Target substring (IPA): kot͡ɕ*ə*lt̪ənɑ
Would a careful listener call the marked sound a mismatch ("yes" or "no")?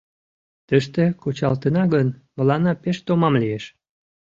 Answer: yes